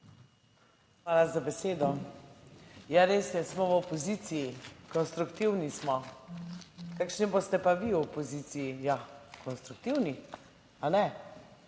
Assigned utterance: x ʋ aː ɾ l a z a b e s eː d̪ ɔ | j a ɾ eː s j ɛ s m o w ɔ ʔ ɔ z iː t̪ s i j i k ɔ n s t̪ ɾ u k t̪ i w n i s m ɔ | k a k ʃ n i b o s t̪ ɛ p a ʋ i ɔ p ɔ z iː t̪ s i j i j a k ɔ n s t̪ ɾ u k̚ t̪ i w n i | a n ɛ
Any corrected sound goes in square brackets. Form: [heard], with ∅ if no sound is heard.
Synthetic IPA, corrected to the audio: x ʋ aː [∅] l a z a b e s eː d̪ ɔ | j a ɾ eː s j ɛ s m [ɔ] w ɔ [p] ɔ z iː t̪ s i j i k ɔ n s t̪ ɾ u k t̪ i w n i s m ɔ | k a k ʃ n i b o s t̪ ɛ p a ʋ i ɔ p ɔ z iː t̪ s i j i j a k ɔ n s t̪ ɾ u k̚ t̪ i w n i | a n ɛ